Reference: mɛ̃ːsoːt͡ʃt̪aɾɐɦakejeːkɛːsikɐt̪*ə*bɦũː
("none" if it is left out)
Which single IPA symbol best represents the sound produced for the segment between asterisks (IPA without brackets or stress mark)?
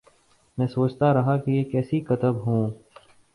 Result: ə